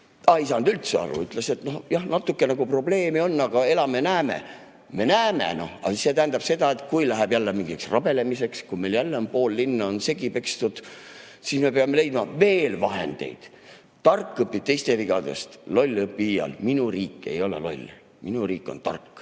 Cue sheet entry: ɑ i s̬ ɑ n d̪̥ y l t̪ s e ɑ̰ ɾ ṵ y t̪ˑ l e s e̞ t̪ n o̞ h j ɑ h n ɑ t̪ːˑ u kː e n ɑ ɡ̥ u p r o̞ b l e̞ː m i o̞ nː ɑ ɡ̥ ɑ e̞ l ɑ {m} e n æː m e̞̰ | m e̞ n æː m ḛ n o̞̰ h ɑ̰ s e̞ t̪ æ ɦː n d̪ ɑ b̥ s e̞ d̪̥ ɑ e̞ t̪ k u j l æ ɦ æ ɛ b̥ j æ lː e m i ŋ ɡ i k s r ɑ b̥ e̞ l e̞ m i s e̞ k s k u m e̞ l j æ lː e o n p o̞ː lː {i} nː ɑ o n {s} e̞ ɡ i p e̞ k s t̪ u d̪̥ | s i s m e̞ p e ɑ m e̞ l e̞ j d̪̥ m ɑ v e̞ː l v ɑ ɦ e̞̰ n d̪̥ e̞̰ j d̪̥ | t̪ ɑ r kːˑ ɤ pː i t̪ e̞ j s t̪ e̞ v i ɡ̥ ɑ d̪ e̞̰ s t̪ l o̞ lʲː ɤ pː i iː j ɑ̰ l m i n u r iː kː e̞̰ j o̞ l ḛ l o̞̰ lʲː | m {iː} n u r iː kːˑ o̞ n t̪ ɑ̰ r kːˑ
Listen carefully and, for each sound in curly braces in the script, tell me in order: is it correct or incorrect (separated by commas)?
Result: correct, correct, correct, incorrect